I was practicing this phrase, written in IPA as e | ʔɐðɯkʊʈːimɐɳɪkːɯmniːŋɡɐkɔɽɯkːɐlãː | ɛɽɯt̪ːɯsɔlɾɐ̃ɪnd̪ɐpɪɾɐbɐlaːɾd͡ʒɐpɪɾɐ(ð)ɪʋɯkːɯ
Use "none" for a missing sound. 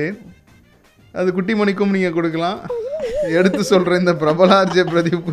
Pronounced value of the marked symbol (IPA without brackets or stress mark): ð